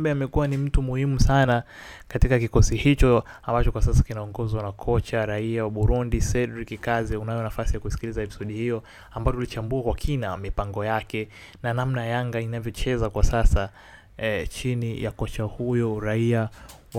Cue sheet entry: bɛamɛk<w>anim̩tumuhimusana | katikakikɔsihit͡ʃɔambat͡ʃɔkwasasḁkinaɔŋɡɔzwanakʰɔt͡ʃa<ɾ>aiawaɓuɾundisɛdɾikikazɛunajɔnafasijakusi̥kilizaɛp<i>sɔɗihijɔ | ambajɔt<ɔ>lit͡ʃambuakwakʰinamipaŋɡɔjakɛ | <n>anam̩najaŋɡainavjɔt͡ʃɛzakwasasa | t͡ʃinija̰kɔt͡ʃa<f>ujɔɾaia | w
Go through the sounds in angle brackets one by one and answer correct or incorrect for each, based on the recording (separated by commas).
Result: incorrect, correct, correct, incorrect, correct, incorrect